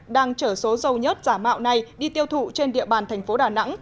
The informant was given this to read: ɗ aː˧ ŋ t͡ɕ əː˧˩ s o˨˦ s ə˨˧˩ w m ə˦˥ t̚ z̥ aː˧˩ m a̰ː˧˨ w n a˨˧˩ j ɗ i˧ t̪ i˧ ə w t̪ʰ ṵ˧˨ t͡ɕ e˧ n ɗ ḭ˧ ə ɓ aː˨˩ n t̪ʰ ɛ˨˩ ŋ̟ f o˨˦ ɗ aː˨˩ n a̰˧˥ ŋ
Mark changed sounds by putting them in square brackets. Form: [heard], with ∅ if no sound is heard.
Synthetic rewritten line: ɗ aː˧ ŋ t͡ɕ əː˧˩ s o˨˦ [z] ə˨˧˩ w [ɲ] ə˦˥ t̚ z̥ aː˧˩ m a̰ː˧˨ w n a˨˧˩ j ɗ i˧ t̪ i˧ ə w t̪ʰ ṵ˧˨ t͡ɕ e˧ n ɗ ḭ˧ ə ɓ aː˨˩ n t̪ʰ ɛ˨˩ ŋ̟ f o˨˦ ɗ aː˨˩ n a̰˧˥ ŋ